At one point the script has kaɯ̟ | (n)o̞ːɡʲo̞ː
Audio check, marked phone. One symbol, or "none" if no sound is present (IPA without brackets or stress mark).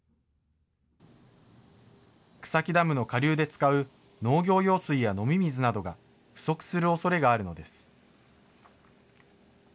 n